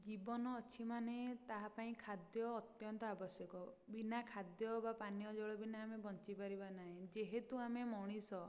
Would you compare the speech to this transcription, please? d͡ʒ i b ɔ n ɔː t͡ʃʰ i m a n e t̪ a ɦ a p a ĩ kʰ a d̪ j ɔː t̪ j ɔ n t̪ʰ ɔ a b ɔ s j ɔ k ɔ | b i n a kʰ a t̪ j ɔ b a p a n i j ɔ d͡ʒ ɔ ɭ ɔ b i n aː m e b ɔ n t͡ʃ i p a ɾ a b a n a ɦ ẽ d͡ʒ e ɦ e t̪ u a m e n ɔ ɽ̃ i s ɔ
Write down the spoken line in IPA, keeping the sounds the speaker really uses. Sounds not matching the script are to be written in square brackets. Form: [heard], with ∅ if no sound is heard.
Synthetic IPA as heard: d͡ʒ i b ɔ n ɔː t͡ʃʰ i m a n e t̪ a ɦ a p a ĩ kʰ a d̪ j ɔː t̪ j ɔ n [t̪] ɔ a b ɔ s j ɔ k ɔ | b i n a kʰ a [d̪] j ɔ b a p a n i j ɔ d͡ʒ ɔ ɭ ɔ b i n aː m e b ɔ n t͡ʃ i p a ɾ [i] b a n a ɦ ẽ d͡ʒ e ɦ e t̪ u a m e [m] ɔ ɽ̃ i s ɔ